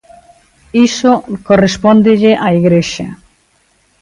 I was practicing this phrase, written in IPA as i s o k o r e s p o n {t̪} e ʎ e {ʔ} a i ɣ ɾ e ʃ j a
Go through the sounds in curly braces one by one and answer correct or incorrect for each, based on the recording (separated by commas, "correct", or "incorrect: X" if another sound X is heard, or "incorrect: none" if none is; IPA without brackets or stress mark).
incorrect: d̪, correct